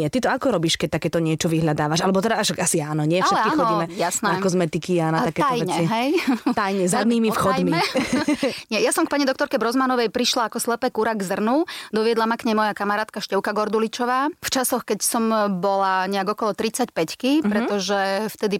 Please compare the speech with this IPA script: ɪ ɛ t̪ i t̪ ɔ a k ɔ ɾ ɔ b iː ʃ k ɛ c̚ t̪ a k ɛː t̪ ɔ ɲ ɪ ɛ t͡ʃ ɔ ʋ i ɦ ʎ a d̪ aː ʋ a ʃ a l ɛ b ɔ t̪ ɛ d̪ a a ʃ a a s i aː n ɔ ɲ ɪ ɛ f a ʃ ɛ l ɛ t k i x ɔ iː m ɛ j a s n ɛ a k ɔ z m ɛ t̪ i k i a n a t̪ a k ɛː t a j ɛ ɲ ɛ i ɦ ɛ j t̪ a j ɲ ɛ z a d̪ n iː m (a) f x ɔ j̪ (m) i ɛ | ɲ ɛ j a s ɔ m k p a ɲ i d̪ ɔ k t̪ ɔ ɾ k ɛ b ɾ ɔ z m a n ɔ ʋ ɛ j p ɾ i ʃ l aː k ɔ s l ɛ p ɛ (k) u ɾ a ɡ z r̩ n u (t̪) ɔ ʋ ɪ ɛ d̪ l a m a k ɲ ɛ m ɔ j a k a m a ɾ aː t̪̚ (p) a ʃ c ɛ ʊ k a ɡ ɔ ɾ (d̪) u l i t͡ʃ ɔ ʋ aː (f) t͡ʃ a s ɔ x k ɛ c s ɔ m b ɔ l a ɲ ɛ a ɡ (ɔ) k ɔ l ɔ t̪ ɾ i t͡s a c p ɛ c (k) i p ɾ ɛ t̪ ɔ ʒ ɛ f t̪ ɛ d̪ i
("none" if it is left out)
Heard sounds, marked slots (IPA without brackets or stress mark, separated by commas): i, m, k, d̪, k, d̪, f, ɔ, k